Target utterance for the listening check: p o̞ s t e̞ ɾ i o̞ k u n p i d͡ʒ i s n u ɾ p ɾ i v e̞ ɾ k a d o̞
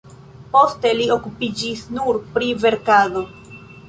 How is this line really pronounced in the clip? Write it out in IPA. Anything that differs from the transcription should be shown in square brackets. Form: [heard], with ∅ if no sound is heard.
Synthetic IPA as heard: p o̞ s t e̞ [l] i o̞ k u [∅] p i d͡ʒ i s n u ɾ p ɾ i v e̞ ɾ k a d o̞

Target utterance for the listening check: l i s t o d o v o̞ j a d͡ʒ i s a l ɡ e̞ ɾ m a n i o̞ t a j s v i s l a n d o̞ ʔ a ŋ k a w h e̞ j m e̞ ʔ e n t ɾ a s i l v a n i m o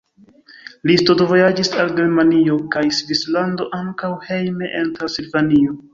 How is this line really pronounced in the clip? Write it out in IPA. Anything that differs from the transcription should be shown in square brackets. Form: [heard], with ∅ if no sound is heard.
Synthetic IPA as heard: l i s t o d o v o̞ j a d͡ʒ i s a l ɡ e̞ ɾ m a n i o̞ [k] a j s v i s l a n d o̞ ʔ a ŋ k a w h e̞ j m e̞ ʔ e n t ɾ a s i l v a n i [∅] o

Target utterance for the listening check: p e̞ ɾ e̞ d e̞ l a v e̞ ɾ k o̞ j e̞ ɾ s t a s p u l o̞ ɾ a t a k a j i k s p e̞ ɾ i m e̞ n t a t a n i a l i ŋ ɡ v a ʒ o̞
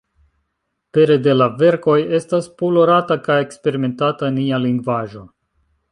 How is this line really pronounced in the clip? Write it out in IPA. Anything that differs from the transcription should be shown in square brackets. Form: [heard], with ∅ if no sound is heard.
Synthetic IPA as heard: p e̞ ɾ e̞ d e̞ l a v e̞ ɾ k o̞ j e̞ [∅] s t a s p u l o̞ ɾ a t a k a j [e] k s p e̞ ɾ i m e̞ n t a t a n i a l i ŋ ɡ v a ʒ o̞

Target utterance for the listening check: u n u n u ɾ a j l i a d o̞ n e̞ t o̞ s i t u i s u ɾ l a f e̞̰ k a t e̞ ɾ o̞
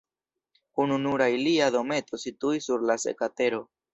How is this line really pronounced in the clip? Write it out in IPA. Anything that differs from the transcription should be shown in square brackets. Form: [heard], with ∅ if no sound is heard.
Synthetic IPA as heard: u n u n u ɾ a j l i a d o̞ [m] e̞ t o̞ s i t u i s u ɾ l a [s] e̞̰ k a t e̞ ɾ o̞

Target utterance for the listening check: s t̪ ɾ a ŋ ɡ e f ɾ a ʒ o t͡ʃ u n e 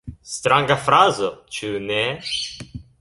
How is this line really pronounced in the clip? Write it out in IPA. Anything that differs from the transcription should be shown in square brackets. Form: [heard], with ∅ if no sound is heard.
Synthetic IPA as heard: s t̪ ɾ a ŋ ɡ [a] f ɾ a [z] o t͡ʃ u n e

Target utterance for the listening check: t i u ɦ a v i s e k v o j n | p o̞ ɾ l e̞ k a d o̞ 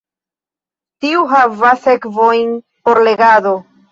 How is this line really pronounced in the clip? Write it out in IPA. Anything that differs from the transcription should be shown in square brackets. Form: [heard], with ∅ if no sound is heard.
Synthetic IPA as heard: t i u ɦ a v [a] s e k v o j n | p o̞ ɾ l e̞ [ɡ] a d o̞

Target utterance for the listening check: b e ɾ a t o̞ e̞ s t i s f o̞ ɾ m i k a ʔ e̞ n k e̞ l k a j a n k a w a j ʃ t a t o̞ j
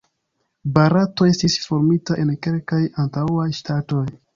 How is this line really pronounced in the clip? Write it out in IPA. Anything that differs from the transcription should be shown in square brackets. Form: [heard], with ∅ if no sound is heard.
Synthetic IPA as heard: b [a] ɾ a t o̞ e̞ s t i s f o̞ ɾ m i [t] a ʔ e̞ n k e̞ l k a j a n [t] a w a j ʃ t a t o̞ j

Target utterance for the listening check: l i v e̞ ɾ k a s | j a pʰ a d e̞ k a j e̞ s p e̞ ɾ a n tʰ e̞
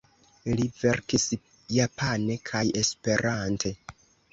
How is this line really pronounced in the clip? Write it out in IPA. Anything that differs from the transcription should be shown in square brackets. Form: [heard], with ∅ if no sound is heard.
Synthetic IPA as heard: l i v e̞ ɾ k [i] s | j a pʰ a [n] e̞ [kʰ] a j e̞ s p e̞ ɾ a n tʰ e̞

